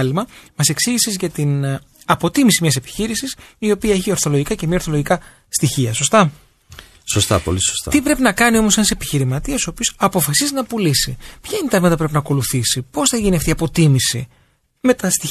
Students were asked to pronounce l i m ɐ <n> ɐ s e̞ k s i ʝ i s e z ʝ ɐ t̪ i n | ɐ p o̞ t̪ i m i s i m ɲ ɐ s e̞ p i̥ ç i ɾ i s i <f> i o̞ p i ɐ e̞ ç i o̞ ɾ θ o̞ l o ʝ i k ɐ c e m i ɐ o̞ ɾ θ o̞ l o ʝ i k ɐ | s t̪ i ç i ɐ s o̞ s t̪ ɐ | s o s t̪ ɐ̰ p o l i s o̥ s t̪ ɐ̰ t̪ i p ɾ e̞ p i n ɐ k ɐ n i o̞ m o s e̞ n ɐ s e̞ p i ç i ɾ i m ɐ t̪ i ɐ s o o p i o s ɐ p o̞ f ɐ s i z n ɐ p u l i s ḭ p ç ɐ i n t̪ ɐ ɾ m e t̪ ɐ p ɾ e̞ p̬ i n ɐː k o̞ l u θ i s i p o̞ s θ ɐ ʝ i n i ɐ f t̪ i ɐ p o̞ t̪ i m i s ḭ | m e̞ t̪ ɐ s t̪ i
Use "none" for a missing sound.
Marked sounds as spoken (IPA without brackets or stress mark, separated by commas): m, s